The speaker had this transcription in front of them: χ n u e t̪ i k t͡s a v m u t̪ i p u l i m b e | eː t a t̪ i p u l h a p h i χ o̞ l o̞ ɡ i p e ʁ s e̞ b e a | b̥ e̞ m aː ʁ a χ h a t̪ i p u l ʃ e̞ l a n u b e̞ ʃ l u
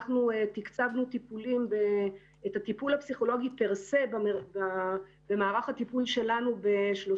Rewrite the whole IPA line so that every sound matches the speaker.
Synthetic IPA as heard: χ n u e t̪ i k t͡s a v n u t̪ i p u l i m b e | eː t a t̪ i p u l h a p s i χ o̞ l o̞ ɡ i p e ʁ s e̞ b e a | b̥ e̞ m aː ʁ a χ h a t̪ i p u l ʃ e̞ l a n u b e̞ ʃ l o